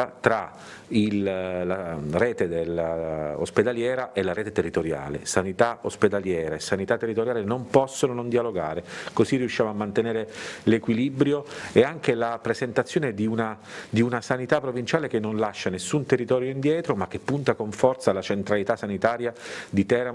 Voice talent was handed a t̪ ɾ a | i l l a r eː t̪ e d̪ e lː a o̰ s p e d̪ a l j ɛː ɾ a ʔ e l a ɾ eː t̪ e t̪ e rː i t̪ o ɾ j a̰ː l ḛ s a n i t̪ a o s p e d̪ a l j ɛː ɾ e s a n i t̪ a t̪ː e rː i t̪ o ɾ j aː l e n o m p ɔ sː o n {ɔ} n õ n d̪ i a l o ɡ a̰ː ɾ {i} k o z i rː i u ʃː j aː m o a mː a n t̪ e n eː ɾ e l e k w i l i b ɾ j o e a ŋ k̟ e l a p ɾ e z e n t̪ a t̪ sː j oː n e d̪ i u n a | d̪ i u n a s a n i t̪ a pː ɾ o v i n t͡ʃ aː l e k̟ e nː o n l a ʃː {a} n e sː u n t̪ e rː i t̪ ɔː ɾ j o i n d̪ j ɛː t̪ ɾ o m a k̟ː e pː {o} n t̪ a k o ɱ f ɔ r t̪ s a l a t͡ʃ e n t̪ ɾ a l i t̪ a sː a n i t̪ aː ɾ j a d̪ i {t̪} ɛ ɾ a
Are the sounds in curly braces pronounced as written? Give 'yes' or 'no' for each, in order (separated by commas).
no, no, yes, no, yes